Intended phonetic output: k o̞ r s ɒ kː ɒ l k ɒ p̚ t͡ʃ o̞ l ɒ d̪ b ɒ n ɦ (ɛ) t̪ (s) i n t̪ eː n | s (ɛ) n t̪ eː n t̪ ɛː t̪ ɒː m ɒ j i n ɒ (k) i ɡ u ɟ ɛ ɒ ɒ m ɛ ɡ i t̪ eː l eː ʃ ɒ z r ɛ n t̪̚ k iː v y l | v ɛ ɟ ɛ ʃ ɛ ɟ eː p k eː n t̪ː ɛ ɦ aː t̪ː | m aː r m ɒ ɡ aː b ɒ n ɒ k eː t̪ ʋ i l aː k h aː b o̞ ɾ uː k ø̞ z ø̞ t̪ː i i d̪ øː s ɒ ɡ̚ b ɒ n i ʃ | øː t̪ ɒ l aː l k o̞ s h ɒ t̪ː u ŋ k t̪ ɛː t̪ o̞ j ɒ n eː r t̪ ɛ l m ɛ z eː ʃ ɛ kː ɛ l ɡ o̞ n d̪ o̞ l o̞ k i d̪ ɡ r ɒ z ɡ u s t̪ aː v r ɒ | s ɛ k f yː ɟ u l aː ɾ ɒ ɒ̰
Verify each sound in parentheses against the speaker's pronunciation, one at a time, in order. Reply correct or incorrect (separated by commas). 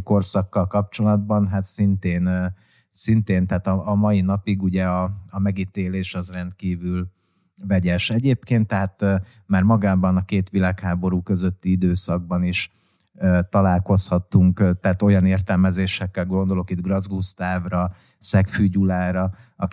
incorrect, correct, incorrect, incorrect